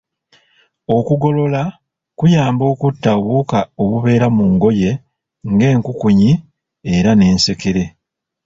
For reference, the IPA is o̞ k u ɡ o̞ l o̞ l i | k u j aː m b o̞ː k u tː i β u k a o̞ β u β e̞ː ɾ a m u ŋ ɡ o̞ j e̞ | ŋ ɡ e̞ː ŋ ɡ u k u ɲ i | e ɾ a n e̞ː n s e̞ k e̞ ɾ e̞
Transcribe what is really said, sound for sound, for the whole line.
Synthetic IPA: o̞ k u ɡ o̞ l o̞ l a | k u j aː m b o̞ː k u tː a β u k a o̞ β u β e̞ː ɾ a m u ŋ ɡ o̞ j e̞ | ŋ ɡ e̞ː ŋ k u k u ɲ i | e ɾ a n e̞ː n s e̞ k e̞ ɾ e̞

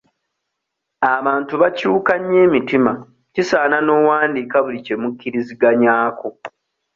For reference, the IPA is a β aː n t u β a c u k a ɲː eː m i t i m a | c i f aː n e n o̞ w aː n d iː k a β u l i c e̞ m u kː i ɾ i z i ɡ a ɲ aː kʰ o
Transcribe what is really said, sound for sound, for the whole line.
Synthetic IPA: a β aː n t u β a c uː k a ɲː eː m i t i m a | c i s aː n a n o̞ w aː n d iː k a β u l i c e̞ m u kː i ɾ i z i ɡ a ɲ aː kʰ o

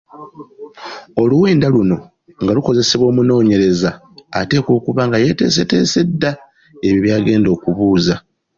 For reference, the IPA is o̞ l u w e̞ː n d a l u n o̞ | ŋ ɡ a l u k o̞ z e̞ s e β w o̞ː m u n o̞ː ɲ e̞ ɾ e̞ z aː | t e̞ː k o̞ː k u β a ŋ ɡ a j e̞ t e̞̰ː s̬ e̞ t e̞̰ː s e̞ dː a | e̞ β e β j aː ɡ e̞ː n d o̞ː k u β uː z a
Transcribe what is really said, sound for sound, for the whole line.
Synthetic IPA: o̞ l u w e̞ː n d a l u n o̞ | ŋ ɡ a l u k o̞ z e̞ s e β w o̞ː m u n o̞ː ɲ e̞ ɾ e̞ z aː | t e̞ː k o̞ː k u β a ŋ ɡ a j e̞ t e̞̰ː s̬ e̞ t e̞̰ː s e̞ dː a | e̞ β i β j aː ɡ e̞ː n d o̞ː k u β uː z a

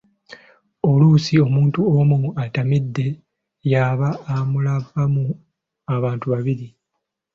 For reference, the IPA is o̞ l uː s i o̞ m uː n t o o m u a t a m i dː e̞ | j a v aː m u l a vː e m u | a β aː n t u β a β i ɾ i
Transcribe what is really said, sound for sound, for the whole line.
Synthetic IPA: o̞ l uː s i o̞ m uː n t u o m u a t a m i dː e̞ | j a β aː m u l a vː a m u | a β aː n t u β a β i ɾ i

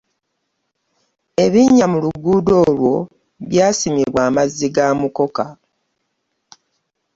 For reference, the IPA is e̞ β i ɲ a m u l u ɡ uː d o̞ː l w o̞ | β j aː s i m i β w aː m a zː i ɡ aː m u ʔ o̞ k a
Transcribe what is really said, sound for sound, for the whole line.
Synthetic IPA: e̞ β i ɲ a m u l u ɡ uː d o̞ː l w o̞ | β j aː s i m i β w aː m a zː i ɡ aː m u k o̞ k a

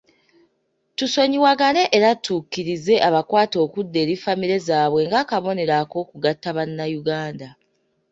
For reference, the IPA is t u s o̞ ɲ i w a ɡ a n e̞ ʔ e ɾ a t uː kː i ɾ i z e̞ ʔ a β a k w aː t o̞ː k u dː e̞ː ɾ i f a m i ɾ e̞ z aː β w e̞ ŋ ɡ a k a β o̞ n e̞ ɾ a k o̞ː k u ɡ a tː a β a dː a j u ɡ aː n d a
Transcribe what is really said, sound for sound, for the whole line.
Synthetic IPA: t u s o̞ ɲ i w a ɡ a n e̞ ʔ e ɾ a t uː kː i ɾ i z e̞ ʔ a β a k w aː t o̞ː k u dː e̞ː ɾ i f a m i ɾ e̞ z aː β w e̞ ŋ ɡ a k a β o̞ n e̞ ɾ a k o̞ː k u ɡ a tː a β a nː a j u ɡ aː n d a

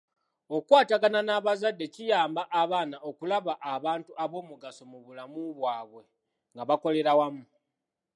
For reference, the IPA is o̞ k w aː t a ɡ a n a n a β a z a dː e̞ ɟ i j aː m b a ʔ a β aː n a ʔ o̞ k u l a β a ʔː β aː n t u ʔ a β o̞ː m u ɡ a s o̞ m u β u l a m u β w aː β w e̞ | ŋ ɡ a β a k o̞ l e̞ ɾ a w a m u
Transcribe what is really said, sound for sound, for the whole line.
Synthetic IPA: o̞ k w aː t a ɡ a n a n a β a z a dː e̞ c i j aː m b a ʔ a β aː n a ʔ o̞ k u l a β a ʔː β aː n t u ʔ a β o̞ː m u ɡ a s o̞ m u β u l a m u β w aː β w e̞ | ŋ ɡ a β a k o̞ l e̞ ɾ a w a m u

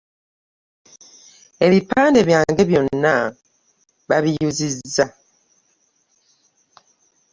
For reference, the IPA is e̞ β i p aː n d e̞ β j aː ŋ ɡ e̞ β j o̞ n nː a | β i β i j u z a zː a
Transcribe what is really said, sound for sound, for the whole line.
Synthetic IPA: e̞ β i p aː n d e̞ β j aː ŋ ɡ e̞ β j o̞ n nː a | β a β i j u z i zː a

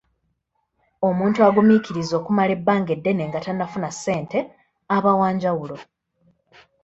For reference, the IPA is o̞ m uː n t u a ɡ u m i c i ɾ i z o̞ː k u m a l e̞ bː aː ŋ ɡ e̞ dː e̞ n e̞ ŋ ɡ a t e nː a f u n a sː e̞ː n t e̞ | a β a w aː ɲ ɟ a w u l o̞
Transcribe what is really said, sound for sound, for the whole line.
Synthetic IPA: o̞ m uː n t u a ɡ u m i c i ɾ i z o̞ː k u m a l e̞ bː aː ŋ ɡ e̞ dː e̞ n e̞ ŋ ɡ a t a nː a f u n a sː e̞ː n t e̞ | a β a w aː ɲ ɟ a w u l o̞

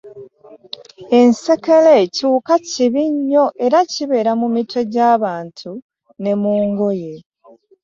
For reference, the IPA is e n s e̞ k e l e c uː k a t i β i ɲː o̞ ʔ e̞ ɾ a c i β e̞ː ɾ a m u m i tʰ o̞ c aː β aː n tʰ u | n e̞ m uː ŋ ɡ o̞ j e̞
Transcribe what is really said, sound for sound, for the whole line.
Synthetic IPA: e n s e̞ k e l e c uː k a c i β i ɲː o̞ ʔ e̞ ɾ a c i β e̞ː ɾ a m u m i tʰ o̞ ɟ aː β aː n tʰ u | n e̞ m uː ŋ ɡ o̞ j e̞

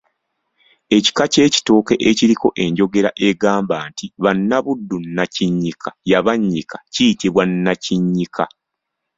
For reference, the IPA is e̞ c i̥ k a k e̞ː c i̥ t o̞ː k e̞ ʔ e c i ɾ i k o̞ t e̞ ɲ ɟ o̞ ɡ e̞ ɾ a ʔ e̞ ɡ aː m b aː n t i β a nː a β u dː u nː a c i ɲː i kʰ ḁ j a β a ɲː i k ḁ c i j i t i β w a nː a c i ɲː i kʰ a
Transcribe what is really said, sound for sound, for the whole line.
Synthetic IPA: e̞ c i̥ k a c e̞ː c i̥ t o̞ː k e̞ ʔ e c i ɾ i k o̞ ʔ e̞ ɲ ɟ o̞ ɡ e̞ ɾ a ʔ e̞ ɡ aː m b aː n t i β a nː a β u dː u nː a c i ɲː i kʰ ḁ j a β a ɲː i k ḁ c i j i t i β w a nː a c i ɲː i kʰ a

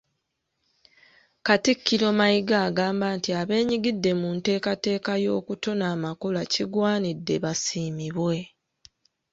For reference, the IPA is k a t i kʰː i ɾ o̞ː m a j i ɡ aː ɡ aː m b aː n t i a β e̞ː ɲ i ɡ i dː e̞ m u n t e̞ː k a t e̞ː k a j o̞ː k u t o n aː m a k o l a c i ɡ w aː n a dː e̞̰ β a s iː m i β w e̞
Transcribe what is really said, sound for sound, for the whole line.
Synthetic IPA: k a t i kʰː i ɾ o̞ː m a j i ɡ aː ɡ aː m b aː n t i a β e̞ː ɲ i ɡ i dː e̞ m u n t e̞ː k a t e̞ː k a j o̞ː k u t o n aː m a k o l a c i ɡ w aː n i dː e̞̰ β a s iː m i β w e̞

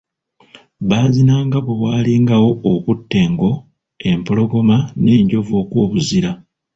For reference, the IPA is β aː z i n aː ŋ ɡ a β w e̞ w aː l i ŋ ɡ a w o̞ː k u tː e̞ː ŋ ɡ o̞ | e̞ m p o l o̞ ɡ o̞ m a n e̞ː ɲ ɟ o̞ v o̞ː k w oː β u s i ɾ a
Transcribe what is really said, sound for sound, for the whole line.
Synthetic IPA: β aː z i n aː ŋ ɡ a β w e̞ w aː l i ŋ ɡ a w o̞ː k u tː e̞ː ŋ ɡ o̞ | e̞ m p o l o̞ ɡ o̞ m a n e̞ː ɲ ɟ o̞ v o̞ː k w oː β u z i ɾ a

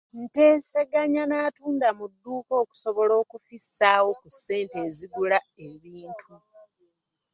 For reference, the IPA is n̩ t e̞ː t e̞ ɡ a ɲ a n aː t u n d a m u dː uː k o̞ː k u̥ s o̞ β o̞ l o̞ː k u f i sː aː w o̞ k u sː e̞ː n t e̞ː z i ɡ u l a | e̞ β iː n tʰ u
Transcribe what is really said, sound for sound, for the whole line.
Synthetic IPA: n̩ t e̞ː s e̞ ɡ a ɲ a n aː t uː n d a m u dː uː k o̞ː k u̥ s o̞ β o̞ l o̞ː k u f i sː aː w o̞ k u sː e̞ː n t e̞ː z i ɡ u l a | e̞ β iː n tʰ u

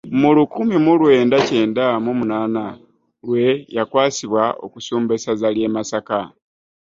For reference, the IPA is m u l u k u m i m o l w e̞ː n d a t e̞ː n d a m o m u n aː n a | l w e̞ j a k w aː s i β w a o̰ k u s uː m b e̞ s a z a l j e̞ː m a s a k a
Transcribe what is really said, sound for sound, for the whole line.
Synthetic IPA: m u l u k u m i m u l w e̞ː n d a c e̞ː n d a m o m u n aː n a | l w e̞ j a k w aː s i β w a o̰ k u s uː m b e̞ s a z a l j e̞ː m a s a k a

